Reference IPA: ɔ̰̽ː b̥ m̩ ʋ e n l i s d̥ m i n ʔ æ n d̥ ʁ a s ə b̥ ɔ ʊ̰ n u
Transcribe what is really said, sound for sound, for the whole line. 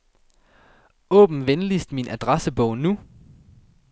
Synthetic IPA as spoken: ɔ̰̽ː b̥ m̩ ʋ e n l i s d̥ m i n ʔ æ d̥ ʁ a s ə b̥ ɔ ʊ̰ n u